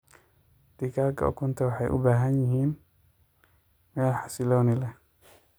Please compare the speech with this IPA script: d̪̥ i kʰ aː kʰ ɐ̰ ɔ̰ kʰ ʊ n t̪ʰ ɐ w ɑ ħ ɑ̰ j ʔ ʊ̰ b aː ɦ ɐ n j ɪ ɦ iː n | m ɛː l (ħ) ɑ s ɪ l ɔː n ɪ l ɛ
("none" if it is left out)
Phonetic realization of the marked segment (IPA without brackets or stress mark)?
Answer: ħ